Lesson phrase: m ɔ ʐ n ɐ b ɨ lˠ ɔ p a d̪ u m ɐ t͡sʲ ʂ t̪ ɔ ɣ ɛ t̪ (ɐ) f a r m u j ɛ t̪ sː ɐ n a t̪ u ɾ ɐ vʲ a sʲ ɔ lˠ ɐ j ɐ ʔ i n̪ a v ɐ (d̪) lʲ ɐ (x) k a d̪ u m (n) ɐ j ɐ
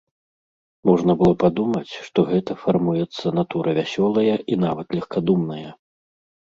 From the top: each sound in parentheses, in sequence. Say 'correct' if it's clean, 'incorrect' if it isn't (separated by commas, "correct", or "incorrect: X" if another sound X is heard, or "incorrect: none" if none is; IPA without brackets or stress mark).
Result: correct, incorrect: t̪, correct, correct